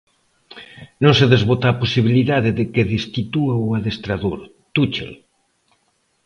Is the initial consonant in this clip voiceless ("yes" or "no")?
no